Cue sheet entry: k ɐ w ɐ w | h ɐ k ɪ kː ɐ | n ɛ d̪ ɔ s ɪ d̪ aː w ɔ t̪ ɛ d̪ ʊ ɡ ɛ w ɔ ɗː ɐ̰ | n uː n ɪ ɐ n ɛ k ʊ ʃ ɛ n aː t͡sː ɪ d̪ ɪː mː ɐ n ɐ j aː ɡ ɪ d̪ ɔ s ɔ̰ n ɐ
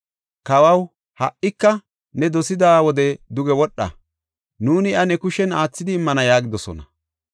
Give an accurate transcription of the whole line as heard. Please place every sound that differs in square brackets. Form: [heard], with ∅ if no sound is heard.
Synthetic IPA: k ɐ w ɐ w | h ɐ [ʔ] ɪ kː ɐ | n ɛ d̪ ɔ s ɪ d̪ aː w ɔ [d̪] ɛ d̪ ʊ ɡ ɛ w ɔ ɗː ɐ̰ | n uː n ɪ ɐ n ɛ k ʊ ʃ ɛ n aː t͡sː ɪ d̪ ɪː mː ɐ n ɐ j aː ɡ ɪ d̪ ɔ s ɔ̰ n ɐ